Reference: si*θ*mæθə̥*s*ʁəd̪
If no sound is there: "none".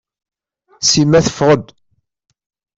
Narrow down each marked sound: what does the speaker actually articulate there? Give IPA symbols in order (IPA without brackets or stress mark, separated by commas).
none, f